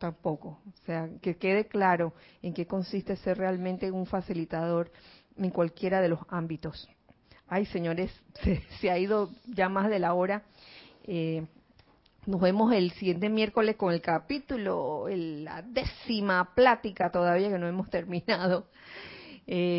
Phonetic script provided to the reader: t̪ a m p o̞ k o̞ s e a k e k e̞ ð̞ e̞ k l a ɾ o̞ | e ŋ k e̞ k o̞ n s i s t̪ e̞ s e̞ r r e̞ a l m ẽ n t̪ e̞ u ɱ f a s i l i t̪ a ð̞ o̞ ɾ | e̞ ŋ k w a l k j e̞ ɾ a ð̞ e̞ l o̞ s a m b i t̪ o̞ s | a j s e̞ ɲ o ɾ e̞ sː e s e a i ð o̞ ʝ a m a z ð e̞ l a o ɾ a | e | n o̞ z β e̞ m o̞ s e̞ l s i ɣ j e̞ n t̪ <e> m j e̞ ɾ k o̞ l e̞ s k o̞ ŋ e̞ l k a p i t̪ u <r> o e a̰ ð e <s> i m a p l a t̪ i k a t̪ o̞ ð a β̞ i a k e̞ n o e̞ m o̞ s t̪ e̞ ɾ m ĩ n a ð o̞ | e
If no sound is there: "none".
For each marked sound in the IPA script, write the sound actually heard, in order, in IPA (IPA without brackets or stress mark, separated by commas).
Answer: e, l, s